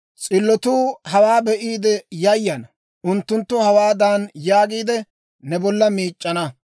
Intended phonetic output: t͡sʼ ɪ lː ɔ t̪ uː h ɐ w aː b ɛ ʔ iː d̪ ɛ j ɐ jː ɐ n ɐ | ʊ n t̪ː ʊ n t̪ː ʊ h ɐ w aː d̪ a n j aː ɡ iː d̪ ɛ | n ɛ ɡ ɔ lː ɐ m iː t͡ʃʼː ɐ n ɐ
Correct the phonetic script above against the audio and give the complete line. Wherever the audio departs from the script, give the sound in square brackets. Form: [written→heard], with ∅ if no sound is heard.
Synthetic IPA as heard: t͡sʼ ɪ lː ɔ t̪ uː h ɐ w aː b ɛ ʔ iː d̪ ɛ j ɐ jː ɐ n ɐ | ʊ n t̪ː ʊ n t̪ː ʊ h ɐ w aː d̪ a n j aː ɡ iː d̪ ɛ | n ɛ [ɡ→b] ɔ lː ɐ m iː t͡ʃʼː ɐ n ɐ